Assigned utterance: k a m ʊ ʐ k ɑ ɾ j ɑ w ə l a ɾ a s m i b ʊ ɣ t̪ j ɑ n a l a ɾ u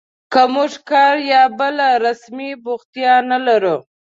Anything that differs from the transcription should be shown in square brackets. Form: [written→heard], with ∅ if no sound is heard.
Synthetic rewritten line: k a m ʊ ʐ k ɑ ɾ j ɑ [w→b] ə l a ɾ a s m i b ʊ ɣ t̪ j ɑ n a l a ɾ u